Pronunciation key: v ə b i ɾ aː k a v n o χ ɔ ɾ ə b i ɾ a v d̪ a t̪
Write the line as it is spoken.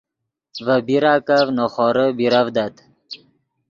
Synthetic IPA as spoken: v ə b i ɾ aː k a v n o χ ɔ ɾ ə b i ɾ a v d̪ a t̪